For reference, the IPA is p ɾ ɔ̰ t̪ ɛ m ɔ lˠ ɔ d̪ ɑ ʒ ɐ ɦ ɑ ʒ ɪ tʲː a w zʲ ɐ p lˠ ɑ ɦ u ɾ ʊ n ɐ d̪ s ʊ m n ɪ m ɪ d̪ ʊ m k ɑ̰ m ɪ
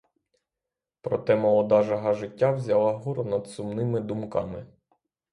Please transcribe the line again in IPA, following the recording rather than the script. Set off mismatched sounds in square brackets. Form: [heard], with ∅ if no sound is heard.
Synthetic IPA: p ɾ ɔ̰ t̪ ɛ m ɔ lˠ ɔ d̪ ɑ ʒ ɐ ɦ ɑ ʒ ɪ tʲː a w zʲ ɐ [∅] lˠ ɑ ɦ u ɾ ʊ n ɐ d̪ s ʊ m n ɪ m ɪ d̪ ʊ m k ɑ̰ m ɪ

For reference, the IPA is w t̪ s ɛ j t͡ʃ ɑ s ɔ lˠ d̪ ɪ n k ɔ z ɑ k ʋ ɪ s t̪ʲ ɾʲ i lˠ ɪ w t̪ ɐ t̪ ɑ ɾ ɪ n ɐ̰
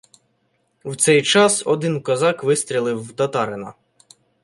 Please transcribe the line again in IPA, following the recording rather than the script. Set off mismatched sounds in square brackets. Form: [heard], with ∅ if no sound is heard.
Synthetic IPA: w t̪ s ɛ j t͡ʃ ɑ s ɔ [∅] d̪ ɪ n k ɔ z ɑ k ʋ ɪ s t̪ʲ ɾʲ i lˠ ɪ w t̪ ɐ t̪ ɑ ɾ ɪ n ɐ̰

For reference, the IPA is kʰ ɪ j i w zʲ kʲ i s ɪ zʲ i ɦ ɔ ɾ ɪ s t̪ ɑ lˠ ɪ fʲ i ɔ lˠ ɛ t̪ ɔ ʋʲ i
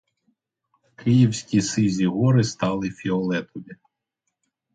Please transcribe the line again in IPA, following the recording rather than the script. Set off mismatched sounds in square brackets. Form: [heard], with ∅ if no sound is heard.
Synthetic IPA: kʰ ɪ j i w [sʲ] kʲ i s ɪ zʲ i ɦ ɔ ɾ ɪ s t̪ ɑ lˠ ɪ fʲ i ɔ lˠ ɛ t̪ ɔ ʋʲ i

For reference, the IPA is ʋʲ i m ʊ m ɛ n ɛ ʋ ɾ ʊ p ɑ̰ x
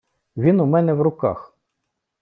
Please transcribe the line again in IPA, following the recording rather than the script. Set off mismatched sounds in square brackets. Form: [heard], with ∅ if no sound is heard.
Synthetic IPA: ʋʲ i [n] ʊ m ɛ n ɛ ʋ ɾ ʊ [k] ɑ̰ x

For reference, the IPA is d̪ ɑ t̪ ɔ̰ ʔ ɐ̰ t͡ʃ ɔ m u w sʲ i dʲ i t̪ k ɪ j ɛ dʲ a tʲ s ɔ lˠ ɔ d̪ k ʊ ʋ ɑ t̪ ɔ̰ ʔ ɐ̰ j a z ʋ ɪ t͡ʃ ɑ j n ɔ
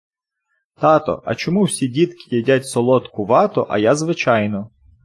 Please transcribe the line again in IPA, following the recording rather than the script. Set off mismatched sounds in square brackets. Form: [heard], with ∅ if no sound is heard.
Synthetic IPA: [t̪] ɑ t̪ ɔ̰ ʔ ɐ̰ t͡ʃ ɔ m u w sʲ i dʲ i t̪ k ɪ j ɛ dʲ a tʲ s ɔ lˠ ɔ [t̪] k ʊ ʋ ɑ t̪ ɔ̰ ʔ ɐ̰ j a z ʋ ɪ t͡ʃ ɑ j n ɔ

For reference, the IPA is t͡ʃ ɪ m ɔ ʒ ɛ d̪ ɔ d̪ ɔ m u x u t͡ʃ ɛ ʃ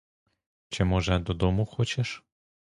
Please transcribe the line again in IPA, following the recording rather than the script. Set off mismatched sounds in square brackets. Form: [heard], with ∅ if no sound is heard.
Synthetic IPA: t͡ʃ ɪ m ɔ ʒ ɛ d̪ ɔ d̪ ɔ m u x [ɔ] t͡ʃ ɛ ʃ

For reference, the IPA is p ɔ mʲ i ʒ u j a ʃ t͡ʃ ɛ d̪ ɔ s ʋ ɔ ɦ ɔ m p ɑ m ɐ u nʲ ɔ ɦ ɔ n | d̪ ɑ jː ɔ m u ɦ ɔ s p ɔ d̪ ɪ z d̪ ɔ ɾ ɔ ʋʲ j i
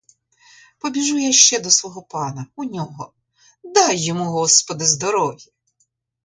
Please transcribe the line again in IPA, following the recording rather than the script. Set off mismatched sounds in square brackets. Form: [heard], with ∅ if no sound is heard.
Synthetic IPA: p ɔ [bʲ] i ʒ u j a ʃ t͡ʃ ɛ d̪ ɔ s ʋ ɔ ɦ ɔ [∅] p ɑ [n] ɐ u nʲ ɔ ɦ ɔ [∅] | d̪ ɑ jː ɔ m u ɦ ɔ s p ɔ d̪ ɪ z d̪ ɔ ɾ ɔ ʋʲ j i

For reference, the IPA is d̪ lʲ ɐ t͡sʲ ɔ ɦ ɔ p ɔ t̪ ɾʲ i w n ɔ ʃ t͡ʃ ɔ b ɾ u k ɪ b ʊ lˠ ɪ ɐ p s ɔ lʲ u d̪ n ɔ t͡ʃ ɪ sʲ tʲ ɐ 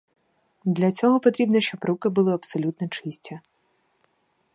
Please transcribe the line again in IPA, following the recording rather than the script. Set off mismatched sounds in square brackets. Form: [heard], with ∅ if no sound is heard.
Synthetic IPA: d̪ lʲ ɐ t͡sʲ ɔ ɦ ɔ p ɔ t̪ ɾʲ i [b] n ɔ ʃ t͡ʃ ɔ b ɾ u k ɪ b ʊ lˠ ɪ ɐ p s ɔ lʲ u [t̪] n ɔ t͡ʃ ɪ sʲ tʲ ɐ

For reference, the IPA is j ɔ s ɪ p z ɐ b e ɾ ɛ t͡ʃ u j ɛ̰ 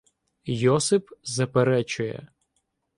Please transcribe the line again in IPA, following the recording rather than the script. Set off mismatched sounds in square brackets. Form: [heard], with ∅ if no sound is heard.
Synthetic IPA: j ɔ s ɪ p z ɐ [p] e ɾ ɛ t͡ʃ [ʊ] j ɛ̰

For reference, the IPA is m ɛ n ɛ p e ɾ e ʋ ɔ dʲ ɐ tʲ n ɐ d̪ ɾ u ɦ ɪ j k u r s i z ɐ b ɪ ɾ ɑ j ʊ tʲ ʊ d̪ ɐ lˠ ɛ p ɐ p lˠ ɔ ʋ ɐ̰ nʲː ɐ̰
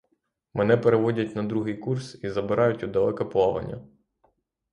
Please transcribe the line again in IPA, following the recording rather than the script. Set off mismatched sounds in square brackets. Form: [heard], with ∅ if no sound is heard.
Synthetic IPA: m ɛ n ɛ p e ɾ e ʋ ɔ dʲ ɐ tʲ n ɐ d̪ ɾ u ɦ ɪ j k u r s i z ɐ b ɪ ɾ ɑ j ʊ tʲ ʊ d̪ ɐ lˠ ɛ [k] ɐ p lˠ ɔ ʋ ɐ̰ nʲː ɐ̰

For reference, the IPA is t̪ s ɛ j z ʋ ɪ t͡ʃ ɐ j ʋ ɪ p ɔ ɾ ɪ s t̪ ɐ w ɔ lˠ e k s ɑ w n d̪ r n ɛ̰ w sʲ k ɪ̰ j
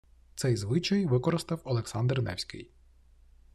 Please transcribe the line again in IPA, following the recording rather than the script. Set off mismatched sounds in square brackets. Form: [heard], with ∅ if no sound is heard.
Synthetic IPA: t̪ s ɛ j z ʋ ɪ t͡ʃ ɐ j ʋ ɪ [k] ɔ ɾ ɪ s t̪ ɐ w ɔ lˠ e k s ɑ [∅] n d̪ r n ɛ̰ w sʲ k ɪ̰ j

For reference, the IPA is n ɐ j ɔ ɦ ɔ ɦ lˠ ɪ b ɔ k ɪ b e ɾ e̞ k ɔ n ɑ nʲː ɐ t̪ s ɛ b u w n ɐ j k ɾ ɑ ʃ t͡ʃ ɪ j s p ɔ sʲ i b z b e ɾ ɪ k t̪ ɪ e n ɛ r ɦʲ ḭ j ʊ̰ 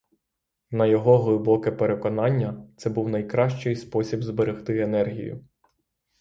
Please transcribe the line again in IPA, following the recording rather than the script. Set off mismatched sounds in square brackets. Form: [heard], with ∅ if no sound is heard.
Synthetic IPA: n ɐ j ɔ ɦ ɔ ɦ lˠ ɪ b ɔ k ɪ [p] e ɾ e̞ k ɔ n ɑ nʲː ɐ t̪ s ɛ b u w n ɐ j k ɾ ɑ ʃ t͡ʃ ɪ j s p ɔ sʲ i b z b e ɾ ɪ [x] t̪ ɪ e n ɛ r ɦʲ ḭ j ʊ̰

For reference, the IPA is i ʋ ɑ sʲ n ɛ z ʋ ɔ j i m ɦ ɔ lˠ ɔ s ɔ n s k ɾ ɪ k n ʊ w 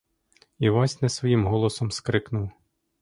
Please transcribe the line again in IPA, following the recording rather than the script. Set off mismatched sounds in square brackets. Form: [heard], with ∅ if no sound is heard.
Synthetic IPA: i ʋ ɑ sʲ n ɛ [s] ʋ ɔ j i m ɦ ɔ lˠ ɔ s ɔ [m] s k ɾ ɪ k n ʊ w

